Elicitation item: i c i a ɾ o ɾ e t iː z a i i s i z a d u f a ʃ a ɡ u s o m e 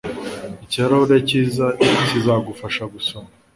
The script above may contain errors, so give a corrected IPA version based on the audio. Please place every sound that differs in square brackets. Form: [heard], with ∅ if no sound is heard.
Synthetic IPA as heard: i c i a ɾ o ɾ e [c] iː z a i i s i z a [ɡ] u f a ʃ a ɡ u s o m [a]